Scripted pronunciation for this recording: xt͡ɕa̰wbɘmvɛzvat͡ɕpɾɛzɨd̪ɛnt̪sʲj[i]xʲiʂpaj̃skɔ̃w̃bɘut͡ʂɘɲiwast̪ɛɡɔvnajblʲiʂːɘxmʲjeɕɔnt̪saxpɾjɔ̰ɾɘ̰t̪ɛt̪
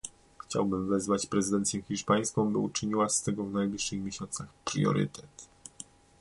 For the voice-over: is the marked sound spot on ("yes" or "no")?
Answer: no